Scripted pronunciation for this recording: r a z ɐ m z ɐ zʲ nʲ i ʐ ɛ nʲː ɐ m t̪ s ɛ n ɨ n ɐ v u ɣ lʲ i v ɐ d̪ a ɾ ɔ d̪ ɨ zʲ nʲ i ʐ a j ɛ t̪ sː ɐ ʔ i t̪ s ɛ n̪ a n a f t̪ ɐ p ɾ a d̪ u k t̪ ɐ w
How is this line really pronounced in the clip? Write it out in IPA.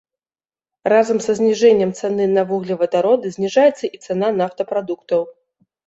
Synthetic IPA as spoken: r a z ɐ m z ɐ zʲ nʲ i ʐ ɛ nʲː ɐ m t̪ s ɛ n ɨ n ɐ v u ɣ lʲ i v ɐ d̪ a ɾ ɔ d̪ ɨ zʲ nʲ i ʐ a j ɛ t̪ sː ɐ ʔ i t̪ s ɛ n̪ a n a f t̪ ɐ p ɾ a d̪ u k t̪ ɐ w